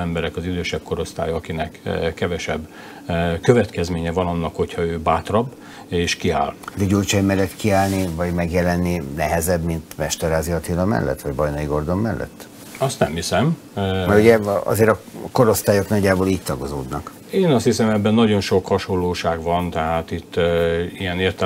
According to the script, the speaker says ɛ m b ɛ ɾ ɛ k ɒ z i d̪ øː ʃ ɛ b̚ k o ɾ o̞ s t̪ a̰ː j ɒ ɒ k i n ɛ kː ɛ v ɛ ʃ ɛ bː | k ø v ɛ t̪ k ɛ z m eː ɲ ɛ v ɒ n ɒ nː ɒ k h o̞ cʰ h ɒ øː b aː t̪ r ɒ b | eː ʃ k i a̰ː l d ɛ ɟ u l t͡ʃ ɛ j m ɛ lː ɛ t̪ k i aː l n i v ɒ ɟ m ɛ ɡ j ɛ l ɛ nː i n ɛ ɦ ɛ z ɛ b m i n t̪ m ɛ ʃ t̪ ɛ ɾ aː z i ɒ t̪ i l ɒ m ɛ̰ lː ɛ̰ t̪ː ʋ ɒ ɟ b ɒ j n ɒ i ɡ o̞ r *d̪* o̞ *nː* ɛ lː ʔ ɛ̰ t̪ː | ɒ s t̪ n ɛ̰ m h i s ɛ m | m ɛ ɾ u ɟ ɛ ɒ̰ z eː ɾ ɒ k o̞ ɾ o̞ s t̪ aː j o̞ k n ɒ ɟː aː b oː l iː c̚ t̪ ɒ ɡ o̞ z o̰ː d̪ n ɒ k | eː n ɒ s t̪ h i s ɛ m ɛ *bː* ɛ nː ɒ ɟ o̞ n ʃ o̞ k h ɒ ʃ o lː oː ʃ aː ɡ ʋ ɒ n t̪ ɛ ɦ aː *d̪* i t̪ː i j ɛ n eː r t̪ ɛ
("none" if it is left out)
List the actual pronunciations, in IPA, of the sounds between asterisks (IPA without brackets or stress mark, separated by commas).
d̪, mː, bː, t̪